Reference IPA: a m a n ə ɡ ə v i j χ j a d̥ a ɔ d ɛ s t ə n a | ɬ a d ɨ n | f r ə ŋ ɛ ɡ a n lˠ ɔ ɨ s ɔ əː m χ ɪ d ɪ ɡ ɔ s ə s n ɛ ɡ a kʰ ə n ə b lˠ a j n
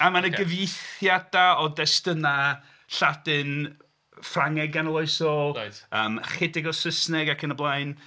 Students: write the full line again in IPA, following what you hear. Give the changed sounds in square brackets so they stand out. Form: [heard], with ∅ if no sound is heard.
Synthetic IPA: a m a n ə ɡ ə v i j [θ] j a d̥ a ɔ d ɛ s t ə n a | ɬ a d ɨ n | f r [a] ŋ ɛ ɡ a n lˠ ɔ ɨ s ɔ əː m χ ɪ d ɪ ɡ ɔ s ə s n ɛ ɡ a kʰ ə n ə b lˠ a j n

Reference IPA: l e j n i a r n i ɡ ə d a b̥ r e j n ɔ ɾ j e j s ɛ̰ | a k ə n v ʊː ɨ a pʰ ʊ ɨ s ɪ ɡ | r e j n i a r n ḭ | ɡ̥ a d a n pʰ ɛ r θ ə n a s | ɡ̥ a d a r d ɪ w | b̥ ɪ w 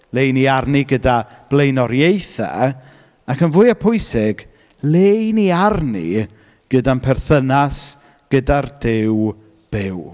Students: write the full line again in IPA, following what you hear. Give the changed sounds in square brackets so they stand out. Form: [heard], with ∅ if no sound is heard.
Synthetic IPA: l e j n i a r n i ɡ ə d a b̥ [l] e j n ɔ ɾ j e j [θ] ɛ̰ | a k ə n v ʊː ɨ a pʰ ʊ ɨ s ɪ ɡ | [l] e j n i a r n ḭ | ɡ̥ [ə] d a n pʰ ɛ r θ ə n a s | ɡ̥ [ə] d a r d ɪ w | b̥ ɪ w

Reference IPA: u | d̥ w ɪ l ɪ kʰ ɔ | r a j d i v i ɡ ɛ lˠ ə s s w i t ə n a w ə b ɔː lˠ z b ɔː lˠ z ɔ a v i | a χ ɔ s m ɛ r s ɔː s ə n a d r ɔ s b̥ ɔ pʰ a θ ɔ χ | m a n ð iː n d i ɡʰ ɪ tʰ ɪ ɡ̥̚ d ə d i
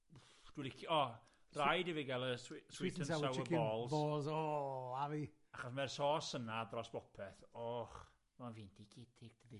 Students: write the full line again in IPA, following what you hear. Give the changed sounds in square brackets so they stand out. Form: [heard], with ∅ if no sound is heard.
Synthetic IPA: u | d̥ w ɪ l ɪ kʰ ɔ | r a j d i v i ɡ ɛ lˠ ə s s w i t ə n a w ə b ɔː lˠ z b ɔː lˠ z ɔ a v i | a χ ɔ s m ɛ r s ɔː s ə n a d r ɔ s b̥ ɔ pʰ [ɛ] θ ɔ χ | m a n [v] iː n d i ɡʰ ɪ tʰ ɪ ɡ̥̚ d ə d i

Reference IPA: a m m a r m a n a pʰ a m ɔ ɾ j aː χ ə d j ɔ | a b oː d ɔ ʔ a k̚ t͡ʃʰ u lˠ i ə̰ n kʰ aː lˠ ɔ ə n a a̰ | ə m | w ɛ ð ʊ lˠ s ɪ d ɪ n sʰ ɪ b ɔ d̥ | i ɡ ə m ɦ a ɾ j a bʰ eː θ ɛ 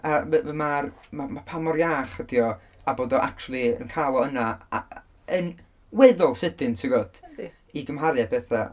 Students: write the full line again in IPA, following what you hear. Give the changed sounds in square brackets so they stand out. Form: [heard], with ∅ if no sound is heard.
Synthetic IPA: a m m a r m a [m] a pʰ a m ɔ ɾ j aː χ ə d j ɔ | a b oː d ɔ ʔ a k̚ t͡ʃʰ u lˠ i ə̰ n kʰ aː lˠ ɔ ə n a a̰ | ə [n] | w ɛ ð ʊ lˠ s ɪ d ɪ n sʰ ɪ [ɡ] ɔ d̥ | i ɡ ə m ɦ a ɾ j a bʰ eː θ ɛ

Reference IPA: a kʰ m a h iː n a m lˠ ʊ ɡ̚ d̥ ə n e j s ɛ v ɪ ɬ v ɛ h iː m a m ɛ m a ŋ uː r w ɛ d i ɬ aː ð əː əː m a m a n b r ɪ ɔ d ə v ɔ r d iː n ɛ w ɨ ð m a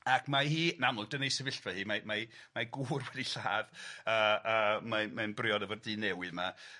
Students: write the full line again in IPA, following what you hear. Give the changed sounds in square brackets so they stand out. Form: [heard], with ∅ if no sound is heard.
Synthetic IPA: a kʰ m a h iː n a m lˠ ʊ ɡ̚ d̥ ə n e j s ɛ v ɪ ɬ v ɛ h iː m a m [a] m a [ɡ] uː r w ɛ d i ɬ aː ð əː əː m a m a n b r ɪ ɔ d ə v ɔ r d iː n ɛ w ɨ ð m a

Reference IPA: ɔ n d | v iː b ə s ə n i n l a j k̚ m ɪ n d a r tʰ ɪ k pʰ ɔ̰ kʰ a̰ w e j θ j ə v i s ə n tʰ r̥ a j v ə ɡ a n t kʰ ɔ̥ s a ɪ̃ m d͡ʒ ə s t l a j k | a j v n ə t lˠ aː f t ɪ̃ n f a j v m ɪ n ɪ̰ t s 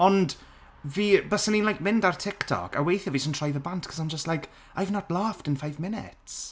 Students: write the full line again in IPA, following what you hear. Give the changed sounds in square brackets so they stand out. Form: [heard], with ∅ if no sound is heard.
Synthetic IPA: ɔ n d | v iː b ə s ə n i n l a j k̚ m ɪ n d a r tʰ ɪ k [tʰ] ɔ̰ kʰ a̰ w e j θ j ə v i s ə n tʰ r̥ a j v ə [b] a n t kʰ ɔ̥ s a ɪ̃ m d͡ʒ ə s t l a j k | a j v n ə t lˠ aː f t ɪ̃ n f a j v m ɪ n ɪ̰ t s

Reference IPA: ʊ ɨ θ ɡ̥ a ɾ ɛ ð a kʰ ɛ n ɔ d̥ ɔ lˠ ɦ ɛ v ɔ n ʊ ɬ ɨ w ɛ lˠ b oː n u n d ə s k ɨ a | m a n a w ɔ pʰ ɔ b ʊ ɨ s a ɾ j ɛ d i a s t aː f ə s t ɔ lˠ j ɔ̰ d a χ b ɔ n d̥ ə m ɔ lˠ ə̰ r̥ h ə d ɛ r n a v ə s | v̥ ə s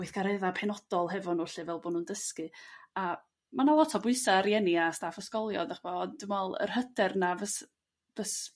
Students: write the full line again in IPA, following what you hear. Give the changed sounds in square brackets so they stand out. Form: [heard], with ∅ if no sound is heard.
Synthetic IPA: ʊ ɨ θ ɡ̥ a ɾ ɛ ð a [pʰ] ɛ n ɔ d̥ ɔ lˠ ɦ ɛ v ɔ n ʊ ɬ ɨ [v] ɛ lˠ b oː n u n d ə s k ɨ a | m a n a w ɔ [tʰ] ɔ b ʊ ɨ s a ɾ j ɛ [n] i a s t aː f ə s [k] ɔ lˠ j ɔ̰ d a χ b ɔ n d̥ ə m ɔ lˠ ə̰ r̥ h ə d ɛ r n a v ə s | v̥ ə s

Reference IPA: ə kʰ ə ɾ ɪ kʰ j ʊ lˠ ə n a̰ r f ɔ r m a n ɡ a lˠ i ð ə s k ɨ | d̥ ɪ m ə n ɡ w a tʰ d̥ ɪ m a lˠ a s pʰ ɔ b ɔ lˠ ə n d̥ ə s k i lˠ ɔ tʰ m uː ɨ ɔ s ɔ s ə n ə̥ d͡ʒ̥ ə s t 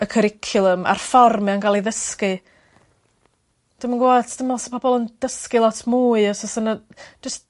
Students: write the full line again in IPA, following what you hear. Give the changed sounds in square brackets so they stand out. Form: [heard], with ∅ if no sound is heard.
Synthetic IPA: ə kʰ ə ɾ ɪ kʰ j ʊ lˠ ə [m] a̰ r f ɔ r m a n ɡ a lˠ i ð ə s k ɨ | d̥ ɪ m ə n ɡ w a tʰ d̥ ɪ m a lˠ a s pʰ ɔ b ɔ lˠ ə n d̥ ə s k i lˠ ɔ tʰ m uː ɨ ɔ s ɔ s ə n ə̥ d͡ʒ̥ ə s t

